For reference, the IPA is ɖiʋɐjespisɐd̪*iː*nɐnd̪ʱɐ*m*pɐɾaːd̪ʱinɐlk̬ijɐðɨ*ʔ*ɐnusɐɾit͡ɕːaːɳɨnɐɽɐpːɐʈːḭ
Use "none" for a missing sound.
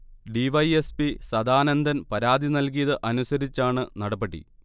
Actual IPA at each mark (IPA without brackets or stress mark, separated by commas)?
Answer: aː, n, ʔ